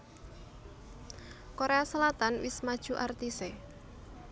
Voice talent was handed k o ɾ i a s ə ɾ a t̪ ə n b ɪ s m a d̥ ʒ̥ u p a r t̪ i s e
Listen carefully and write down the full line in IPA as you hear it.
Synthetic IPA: k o ɾ e a s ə l a t̪ a n w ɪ s m a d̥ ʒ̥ u ʔ a r t̪ i s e